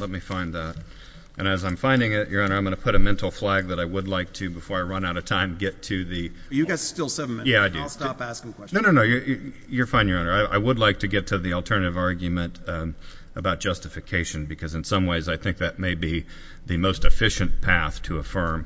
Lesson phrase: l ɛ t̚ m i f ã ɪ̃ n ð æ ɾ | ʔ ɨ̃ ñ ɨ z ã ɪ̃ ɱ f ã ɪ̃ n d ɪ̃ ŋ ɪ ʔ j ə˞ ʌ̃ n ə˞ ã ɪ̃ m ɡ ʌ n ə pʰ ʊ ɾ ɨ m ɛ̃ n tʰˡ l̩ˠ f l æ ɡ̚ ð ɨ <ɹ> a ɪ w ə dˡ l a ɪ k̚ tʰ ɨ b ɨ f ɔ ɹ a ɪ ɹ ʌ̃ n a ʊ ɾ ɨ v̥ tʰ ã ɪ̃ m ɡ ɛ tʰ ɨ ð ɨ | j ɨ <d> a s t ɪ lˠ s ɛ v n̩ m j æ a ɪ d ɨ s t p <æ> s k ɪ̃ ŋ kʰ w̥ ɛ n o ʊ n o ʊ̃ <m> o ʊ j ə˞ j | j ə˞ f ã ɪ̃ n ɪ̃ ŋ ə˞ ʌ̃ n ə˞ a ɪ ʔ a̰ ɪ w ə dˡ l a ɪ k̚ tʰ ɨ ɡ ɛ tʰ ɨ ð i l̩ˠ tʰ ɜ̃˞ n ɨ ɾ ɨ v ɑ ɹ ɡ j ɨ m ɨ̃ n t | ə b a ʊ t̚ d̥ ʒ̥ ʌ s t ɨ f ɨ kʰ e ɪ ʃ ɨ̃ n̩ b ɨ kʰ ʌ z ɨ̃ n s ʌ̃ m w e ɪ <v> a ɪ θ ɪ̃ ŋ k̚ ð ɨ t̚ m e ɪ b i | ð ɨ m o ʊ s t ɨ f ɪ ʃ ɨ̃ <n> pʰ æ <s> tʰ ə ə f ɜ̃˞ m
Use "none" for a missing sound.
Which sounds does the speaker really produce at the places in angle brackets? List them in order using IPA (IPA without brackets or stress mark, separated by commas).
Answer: ɾ, ɡ, æ, n, z, n, θ